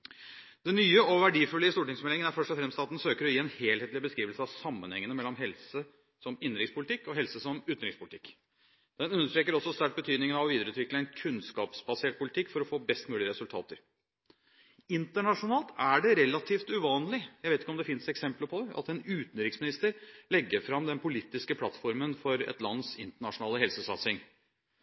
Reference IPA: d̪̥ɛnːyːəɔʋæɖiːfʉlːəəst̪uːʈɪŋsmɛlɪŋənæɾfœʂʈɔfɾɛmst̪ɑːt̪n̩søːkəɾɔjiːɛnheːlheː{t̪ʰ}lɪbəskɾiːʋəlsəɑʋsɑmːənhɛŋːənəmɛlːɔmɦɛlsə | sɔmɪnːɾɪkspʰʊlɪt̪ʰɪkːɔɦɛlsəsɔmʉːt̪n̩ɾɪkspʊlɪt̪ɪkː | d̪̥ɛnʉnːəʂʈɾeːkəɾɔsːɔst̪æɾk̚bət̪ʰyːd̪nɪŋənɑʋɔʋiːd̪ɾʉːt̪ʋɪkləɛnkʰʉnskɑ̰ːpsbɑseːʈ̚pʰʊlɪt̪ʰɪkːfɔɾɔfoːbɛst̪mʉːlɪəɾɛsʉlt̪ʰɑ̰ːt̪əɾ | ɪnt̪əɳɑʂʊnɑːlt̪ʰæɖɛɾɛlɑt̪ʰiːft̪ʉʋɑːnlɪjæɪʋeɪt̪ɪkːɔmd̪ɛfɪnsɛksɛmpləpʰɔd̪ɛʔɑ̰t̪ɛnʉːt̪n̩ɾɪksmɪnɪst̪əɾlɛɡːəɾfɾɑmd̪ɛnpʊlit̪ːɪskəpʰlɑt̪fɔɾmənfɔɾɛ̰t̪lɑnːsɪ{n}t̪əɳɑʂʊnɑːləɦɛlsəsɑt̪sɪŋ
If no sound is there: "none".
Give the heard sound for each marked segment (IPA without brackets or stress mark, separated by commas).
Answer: t̪, n